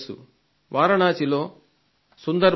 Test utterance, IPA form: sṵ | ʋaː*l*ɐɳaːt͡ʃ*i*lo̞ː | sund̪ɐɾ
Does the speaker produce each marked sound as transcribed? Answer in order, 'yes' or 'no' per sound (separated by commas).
no, yes